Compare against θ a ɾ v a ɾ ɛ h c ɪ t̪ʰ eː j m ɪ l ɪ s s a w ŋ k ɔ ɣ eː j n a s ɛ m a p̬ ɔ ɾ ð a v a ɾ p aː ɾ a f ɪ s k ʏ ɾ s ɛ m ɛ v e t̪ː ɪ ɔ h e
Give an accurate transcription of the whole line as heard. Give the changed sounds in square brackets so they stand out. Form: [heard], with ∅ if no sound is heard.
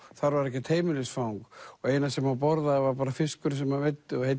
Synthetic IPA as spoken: θ a ɾ v a ɾ ɛ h c ɪ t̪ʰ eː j m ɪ l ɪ s [f] a w ŋ k ɔ ɣ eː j n a s ɛ m a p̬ ɔ ɾ ð a v a ɾ p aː ɾ a f ɪ s k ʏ ɾ s ɛ m [a] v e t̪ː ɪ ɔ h e

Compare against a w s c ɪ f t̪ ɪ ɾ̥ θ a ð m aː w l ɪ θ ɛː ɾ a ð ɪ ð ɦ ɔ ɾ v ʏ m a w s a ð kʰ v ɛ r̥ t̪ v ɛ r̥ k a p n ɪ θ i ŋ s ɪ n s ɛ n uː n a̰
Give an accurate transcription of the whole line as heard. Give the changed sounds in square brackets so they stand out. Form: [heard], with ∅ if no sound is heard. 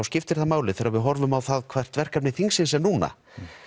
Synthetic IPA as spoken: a w s c ɪ f t̪ ɪ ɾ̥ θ a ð m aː w l ɪ θ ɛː ɾ a [v] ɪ ð ɦ ɔ ɾ v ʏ m a w [θ] a ð kʰ v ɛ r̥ t̪ v ɛ r̥ k a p n ɪ θ i ŋ s ɪ n s ɛ n uː n a̰

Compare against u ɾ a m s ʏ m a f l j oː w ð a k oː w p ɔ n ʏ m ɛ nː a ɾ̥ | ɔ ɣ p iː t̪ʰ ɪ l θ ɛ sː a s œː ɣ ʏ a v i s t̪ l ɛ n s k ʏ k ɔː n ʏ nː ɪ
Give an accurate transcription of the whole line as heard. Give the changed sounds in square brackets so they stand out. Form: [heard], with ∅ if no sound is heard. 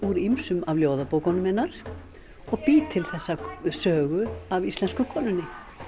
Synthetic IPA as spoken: u ɾ [i] m s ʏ m a [v] l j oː w ð a [p] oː w [k] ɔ n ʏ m ɛ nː a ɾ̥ | ɔ ɣ p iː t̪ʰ ɪ l θ ɛ sː a s œː ɣ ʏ a v i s t̪ l ɛ n s k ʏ [kʰ] ɔː n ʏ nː ɪ

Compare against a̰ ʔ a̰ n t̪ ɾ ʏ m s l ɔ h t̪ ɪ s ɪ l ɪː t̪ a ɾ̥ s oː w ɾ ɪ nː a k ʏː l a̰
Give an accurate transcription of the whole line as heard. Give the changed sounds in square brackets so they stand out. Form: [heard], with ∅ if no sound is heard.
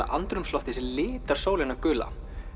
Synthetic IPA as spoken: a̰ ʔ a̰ n t̪ ɾ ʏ m s l ɔ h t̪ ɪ s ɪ l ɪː t̪ a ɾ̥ s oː w [l] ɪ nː a k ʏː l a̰

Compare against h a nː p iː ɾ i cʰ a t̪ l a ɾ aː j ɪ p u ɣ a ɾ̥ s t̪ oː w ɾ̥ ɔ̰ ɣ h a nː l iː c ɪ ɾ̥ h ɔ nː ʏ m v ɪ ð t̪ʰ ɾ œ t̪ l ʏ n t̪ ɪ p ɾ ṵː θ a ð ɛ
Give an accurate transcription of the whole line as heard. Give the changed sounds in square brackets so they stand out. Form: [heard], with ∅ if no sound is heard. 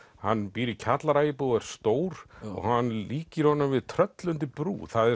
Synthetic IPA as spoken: h a nː p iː ɾ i cʰ a t̪ l a ɾ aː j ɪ p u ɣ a ɾ̥ s t̪ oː w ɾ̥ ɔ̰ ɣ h a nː l iː c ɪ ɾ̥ h ɔ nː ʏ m v ɪ ð t̪ʰ ɾ œ t̪ l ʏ n t̪ ɪ p ɾ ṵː θ a ð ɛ

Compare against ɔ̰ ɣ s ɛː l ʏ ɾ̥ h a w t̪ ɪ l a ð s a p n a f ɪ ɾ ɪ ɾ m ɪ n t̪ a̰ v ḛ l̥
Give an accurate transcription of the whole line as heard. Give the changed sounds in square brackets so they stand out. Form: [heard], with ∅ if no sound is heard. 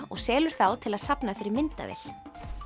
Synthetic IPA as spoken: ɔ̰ ɣ s ɛː l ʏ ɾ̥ [θ] a w [t̪ʰ] ɪ l a ð s a p n a f ɪ ɾ ɪ ɾ m ɪ n t̪ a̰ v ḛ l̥

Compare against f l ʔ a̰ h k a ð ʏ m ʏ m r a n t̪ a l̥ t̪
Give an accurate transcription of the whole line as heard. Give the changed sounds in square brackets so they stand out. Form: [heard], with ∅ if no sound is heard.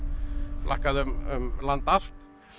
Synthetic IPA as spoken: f l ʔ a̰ h k a ð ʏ m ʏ m [l] a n t̪ a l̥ t̪

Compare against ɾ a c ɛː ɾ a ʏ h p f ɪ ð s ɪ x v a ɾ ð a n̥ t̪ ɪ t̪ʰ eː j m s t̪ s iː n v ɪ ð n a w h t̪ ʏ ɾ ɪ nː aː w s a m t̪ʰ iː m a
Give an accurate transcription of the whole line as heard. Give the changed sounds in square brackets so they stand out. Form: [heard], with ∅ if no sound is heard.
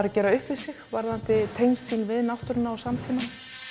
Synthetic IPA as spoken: ɾ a c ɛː ɾ a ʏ h p [v] ɪ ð s ɪ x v a ɾ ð a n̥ t̪ ɪ t̪ʰ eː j m s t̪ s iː n v ɪ ð n a w h t̪ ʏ ɾ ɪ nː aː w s a m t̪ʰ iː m a

